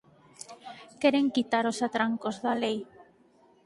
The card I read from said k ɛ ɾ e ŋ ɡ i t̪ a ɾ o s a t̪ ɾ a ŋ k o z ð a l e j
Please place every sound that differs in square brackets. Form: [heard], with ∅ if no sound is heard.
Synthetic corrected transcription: k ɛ ɾ e ŋ [k] i t̪ a ɾ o s a t̪ ɾ a ŋ k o z ð a l e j